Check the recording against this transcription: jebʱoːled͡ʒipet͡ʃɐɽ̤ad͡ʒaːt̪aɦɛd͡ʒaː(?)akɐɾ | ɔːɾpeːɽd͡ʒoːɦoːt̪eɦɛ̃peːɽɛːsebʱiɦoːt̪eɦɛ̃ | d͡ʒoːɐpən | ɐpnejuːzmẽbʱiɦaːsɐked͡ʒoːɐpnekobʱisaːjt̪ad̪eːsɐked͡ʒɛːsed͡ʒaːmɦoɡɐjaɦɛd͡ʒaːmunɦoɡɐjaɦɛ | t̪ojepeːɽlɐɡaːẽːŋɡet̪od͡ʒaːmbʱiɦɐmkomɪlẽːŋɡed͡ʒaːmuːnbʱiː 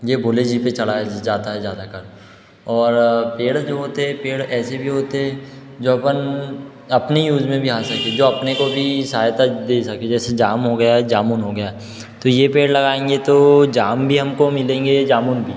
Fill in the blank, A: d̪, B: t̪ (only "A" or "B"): A